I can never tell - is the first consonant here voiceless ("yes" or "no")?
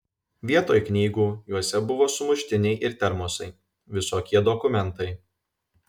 no